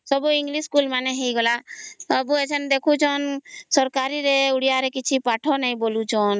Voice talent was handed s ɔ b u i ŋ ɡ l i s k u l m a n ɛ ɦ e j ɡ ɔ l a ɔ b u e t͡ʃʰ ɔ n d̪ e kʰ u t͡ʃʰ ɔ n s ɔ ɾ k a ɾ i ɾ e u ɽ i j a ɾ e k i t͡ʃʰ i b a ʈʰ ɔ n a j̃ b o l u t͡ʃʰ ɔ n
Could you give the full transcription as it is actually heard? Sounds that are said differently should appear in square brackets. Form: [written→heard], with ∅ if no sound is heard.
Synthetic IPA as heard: s ɔ b u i ŋ ɡ l i s k u l m a n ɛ ɦ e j ɡ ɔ l a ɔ b u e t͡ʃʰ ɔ n d̪ e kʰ u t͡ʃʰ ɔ n s ɔ ɾ k a ɾ i ɾ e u ɽ i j a ɾ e k i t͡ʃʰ i [b→p] a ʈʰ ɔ n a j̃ b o l u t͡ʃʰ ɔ n